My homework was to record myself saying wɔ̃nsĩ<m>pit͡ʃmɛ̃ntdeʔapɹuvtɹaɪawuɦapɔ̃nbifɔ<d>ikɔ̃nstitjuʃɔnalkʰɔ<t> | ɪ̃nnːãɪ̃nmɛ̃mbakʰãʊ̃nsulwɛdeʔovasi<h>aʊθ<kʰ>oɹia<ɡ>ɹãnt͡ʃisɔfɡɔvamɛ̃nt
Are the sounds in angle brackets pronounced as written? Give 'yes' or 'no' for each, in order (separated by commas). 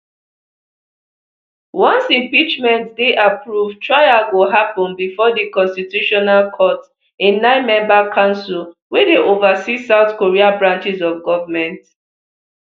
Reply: yes, yes, yes, no, no, no